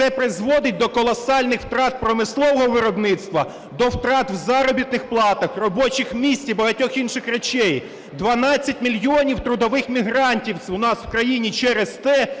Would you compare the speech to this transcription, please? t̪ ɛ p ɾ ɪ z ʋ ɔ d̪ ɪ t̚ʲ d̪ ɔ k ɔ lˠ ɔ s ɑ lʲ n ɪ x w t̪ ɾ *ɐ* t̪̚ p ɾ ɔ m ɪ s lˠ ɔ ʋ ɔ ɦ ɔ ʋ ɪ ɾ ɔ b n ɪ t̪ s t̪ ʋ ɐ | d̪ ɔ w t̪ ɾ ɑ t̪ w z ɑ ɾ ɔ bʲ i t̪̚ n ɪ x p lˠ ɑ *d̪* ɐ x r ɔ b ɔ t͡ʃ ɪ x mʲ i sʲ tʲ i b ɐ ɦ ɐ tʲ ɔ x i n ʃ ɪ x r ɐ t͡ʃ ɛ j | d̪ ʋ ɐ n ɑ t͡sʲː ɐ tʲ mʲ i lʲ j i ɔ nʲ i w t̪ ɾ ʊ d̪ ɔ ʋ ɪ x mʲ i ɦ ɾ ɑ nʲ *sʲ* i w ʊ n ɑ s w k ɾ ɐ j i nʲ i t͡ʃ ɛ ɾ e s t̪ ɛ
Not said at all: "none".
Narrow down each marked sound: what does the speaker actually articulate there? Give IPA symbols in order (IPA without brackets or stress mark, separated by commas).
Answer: ɑ, t̪, tʲ